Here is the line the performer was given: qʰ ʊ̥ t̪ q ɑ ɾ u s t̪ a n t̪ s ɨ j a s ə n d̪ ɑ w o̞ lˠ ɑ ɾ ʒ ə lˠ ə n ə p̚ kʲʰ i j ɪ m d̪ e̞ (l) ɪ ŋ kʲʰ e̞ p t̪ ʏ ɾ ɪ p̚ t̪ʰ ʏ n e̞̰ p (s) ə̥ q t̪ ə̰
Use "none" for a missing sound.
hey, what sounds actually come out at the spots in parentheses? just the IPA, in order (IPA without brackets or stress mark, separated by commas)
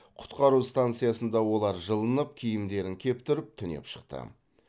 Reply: ɾ, ʃ